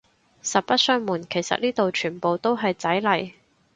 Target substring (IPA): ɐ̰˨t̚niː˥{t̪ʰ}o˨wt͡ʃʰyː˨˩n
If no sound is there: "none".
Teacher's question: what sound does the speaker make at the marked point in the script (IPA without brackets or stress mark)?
t̪